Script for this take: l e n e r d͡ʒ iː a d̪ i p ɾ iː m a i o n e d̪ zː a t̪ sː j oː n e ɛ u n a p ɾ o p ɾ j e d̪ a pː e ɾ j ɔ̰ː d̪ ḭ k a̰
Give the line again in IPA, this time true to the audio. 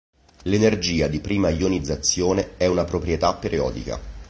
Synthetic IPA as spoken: l e n e r d͡ʒ iː a d̪ i p ɾ iː m a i o n i d̪ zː a t̪ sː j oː n e ɛ u n a p ɾ o p ɾ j e t̪ a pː e ɾ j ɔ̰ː d̪ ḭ k a̰